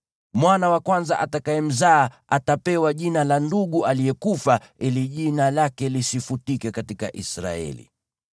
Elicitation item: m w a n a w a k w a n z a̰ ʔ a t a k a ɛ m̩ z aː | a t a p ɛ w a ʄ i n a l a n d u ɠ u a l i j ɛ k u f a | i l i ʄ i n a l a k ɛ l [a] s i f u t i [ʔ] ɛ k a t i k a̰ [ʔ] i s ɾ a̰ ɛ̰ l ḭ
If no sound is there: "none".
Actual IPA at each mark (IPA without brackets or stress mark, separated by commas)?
i, k, ʔ